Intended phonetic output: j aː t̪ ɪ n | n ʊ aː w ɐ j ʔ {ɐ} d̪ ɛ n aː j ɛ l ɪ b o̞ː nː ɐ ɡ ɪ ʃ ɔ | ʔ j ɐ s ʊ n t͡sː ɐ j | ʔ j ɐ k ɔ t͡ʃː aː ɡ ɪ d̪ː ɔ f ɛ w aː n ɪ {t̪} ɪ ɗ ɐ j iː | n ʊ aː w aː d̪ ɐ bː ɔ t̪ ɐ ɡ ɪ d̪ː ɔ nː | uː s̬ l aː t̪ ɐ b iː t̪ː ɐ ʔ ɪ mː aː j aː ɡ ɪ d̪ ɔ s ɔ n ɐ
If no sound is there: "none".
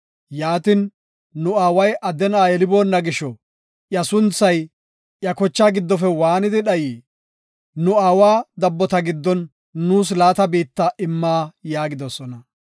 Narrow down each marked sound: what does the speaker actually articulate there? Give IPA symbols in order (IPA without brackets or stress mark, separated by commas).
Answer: ɐ, d̪